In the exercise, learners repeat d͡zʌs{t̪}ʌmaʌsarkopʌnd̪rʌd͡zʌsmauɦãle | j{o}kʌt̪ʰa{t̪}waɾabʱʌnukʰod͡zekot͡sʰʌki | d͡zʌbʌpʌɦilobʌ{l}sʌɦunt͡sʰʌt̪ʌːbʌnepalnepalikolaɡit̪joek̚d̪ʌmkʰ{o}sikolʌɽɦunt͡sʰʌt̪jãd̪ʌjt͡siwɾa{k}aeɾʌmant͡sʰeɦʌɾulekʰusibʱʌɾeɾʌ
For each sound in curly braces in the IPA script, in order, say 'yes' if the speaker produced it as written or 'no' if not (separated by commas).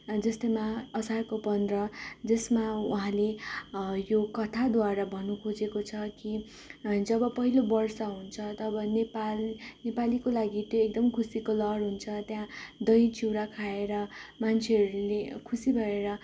yes, yes, no, no, no, no